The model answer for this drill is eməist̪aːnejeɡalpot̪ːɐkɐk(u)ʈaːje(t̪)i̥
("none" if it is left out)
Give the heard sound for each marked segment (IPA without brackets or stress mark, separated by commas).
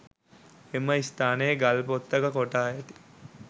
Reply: o, t̪